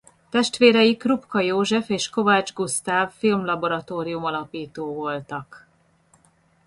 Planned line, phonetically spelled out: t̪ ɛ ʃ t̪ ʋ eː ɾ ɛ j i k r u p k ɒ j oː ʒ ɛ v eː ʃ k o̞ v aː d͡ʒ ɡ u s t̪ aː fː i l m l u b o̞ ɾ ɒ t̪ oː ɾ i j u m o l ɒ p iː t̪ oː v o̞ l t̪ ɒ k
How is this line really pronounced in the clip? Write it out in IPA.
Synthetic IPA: t̪ ɛ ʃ t̪ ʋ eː ɾ ɛ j i k r u p k ɒ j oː ʒ ɛ f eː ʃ k o̞ v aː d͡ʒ ɡ u s t̪ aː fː i l m l ɒ b o̞ ɾ ɒ t̪ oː ɾ i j u m ɒ l ɒ p iː t̪ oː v o̞ l t̪ ɒ k